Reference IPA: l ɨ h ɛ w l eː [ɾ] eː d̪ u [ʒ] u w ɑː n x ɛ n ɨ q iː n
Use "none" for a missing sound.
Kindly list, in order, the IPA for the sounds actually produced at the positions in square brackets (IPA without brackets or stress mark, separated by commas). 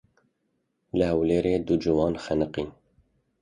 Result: ɾ, d͡ʒ